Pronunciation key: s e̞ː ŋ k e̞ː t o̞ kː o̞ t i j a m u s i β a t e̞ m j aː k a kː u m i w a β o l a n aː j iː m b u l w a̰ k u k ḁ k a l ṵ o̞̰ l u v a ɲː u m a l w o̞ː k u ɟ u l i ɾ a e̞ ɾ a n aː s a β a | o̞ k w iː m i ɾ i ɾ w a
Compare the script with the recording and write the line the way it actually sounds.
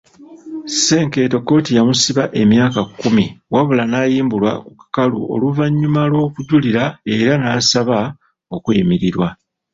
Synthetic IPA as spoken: s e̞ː ŋ k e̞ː t o̞ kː o̞ t i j a m u s i β a ʔ e̞ m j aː k a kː u m i w a β u l a n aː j iː m b u l w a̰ k u k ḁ k a l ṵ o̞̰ l u v a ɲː u m a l w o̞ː k u ɟ u l i ɾ a e̞ ɾ a n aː s a β a | o̞ k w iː m i ɾ i ɾ w a

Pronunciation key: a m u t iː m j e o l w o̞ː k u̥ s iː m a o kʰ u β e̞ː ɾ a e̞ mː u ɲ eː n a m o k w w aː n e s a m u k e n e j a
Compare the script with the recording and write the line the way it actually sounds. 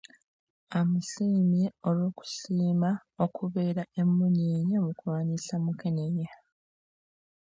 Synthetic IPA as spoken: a m u s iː m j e o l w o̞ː k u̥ s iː m a o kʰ u β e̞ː ɾ a e̞ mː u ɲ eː ɲ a m u k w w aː n i s a m u k e n e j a

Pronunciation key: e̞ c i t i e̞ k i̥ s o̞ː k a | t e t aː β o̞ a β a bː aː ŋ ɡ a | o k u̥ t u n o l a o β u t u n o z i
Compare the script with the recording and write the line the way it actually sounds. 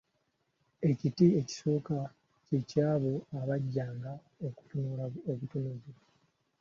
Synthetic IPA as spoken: e̞ c i t i e̞ c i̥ s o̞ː k a | c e c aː β o̞ a β a ɟː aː ŋ ɡ a | o k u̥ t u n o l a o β u t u n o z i

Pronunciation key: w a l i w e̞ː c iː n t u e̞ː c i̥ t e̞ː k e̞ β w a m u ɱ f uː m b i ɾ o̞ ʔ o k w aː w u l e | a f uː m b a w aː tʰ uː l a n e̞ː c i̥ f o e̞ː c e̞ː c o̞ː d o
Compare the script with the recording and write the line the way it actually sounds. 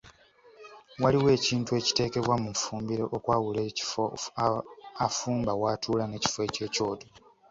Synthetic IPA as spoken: w a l i w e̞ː c iː n t u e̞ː c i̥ t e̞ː k e̞ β w a m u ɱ f uː m b i ɾ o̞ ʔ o k w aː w u l e | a f uː m b a w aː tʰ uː l a n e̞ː c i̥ f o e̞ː c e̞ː c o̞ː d o

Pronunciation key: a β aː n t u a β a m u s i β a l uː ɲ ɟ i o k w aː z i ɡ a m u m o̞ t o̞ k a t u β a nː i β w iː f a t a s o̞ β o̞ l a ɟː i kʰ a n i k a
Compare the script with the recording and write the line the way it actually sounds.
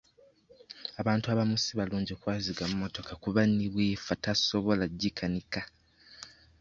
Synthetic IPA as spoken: a β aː n t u a β a m u s i β a l uː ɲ ɟ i o k w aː z i ɡ a m u m o̞ t o̞ k a k u β a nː i β w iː f a t a s o̞ β o̞ l a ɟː i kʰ a n i k a

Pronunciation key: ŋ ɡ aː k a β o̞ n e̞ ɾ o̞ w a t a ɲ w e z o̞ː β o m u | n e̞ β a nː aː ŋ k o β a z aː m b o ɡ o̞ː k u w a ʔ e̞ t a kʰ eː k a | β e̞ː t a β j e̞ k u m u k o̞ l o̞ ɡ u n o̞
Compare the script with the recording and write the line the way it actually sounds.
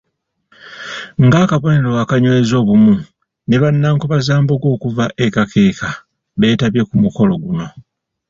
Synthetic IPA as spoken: ŋ ɡ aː k a β o̞ n e̞ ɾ o̞ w a k a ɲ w e z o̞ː β u m u | n e̞ β a nː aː ŋ k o β a z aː m b o ɡ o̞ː k u v a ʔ e̞ k a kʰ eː k a | β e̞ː t a β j e̞ k u m u k o̞ l o̞ ɡ u n o̞

